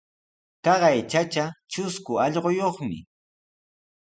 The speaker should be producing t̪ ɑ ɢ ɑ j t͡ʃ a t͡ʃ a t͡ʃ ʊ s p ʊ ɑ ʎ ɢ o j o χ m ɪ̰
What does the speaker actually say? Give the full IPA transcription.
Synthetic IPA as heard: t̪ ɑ ɢ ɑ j t͡ʃ a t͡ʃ a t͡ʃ ʊ s k ʊ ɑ ʎ ɢ o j o χ m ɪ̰